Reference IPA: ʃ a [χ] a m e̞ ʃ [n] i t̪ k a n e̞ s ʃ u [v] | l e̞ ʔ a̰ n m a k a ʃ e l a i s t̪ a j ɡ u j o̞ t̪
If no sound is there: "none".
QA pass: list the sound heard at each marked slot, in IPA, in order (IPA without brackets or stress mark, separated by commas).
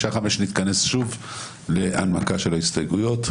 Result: χ, n, v